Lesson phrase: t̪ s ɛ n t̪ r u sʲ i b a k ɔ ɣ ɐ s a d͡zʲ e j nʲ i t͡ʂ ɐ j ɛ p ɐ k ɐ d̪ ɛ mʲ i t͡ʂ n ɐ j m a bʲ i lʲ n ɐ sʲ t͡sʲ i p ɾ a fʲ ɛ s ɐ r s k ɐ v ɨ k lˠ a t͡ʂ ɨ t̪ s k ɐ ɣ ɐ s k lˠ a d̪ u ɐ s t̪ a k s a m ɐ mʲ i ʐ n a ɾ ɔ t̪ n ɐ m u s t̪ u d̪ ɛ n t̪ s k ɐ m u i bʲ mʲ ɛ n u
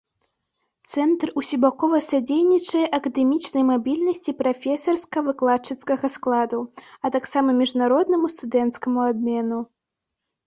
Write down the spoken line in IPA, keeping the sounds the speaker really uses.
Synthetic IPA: t̪ s ɛ n t̪ r u sʲ i b a k ɔ v ɐ s a d͡zʲ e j nʲ i t͡ʂ ɐ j ɛ ʔ ɐ k ɐ d̪ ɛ mʲ i t͡ʂ n ɐ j m a bʲ i lʲ n ɐ sʲ t͡sʲ i p ɾ a fʲ ɛ s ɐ r s k ɐ v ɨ k lˠ a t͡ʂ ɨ t̪ s k ɐ ɣ ɐ s k lˠ a d̪ u ɐ t̪ a k s a m ɐ mʲ i ʐ n a ɾ ɔ d̪ n ɐ m u s t̪ u d̪ ɛ n t̪ s k ɐ m u a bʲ mʲ ɛ n u